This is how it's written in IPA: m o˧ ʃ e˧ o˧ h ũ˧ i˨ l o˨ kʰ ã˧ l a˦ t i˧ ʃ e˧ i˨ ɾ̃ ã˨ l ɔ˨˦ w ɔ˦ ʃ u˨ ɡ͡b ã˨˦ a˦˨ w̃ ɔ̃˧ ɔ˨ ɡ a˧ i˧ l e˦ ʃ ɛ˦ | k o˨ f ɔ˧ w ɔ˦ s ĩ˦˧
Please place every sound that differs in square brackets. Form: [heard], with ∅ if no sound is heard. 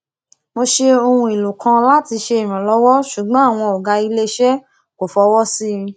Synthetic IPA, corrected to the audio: m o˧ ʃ e˧ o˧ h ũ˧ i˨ l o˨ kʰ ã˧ l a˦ t i˧ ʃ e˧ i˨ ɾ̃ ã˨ l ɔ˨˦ w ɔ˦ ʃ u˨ ɡ͡b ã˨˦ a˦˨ w̃ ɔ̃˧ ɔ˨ ɡ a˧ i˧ l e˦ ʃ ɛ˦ | k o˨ f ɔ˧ w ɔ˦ s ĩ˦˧